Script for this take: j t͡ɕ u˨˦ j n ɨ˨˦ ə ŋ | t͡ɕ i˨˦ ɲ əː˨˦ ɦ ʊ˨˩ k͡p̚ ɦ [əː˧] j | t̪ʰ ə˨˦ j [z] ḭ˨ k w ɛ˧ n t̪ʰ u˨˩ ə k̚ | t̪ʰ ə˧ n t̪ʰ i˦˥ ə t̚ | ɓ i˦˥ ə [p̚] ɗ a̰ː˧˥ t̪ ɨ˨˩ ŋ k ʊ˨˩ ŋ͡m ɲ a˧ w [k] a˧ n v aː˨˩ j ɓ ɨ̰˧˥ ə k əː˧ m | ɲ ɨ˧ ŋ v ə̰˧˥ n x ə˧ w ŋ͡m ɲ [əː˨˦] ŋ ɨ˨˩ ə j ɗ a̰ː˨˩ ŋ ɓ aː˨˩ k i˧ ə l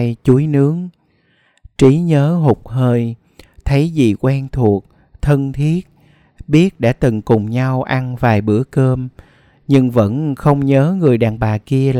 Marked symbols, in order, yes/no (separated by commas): yes, yes, no, no, yes